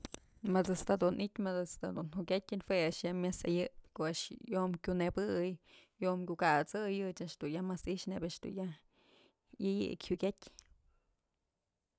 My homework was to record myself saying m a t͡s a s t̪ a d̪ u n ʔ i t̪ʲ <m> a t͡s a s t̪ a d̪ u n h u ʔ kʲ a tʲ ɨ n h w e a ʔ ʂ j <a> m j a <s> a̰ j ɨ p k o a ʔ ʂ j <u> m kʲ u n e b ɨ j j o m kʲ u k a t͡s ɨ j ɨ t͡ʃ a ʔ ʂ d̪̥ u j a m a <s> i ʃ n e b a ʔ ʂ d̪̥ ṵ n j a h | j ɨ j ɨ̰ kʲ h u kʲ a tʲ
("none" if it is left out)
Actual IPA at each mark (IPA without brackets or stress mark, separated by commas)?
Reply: m, a, s, o, s